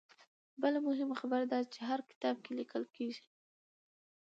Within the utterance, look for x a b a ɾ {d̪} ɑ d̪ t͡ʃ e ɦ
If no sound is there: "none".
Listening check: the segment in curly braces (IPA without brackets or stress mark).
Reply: d̪